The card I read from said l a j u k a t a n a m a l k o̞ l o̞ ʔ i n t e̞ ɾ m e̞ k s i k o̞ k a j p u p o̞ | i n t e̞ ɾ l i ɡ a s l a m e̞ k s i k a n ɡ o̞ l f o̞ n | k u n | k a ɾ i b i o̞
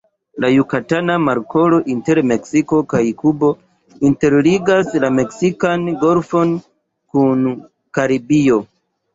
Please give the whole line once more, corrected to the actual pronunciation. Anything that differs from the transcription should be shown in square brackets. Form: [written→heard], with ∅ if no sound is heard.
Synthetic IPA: l a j u k a t a n a m a [l→ɾ] k o̞ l o̞ ʔ i n t e̞ ɾ m e̞ k s i k o̞ k a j [p→k] u [p→b] o̞ | i n t e̞ ɾ l i ɡ a s l a m e̞ k s i k a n ɡ o̞ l f o̞ n | k u n | k a ɾ i b i o̞